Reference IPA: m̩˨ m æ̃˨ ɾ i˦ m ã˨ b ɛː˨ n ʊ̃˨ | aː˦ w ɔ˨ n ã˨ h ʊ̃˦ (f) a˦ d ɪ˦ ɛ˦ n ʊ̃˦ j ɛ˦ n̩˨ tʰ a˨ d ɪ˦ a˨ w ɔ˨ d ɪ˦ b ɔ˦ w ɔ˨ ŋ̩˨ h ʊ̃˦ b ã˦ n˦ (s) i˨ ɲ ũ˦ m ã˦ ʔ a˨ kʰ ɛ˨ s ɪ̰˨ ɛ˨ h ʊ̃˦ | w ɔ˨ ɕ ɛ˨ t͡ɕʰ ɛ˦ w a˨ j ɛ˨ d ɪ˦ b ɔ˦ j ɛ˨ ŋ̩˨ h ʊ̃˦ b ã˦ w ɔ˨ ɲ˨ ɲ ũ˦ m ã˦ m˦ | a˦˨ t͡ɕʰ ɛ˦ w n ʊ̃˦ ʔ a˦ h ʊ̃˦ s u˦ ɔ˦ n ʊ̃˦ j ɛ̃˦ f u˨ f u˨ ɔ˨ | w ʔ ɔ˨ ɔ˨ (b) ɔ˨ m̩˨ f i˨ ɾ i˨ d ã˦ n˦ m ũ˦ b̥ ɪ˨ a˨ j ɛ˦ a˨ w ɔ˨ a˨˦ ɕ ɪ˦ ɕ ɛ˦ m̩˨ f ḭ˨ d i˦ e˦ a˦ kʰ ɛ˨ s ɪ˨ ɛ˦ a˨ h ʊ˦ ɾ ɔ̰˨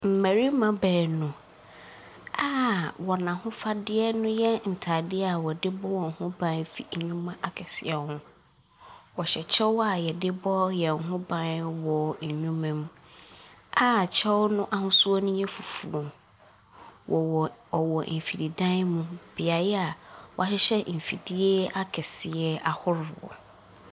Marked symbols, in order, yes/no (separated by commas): yes, no, no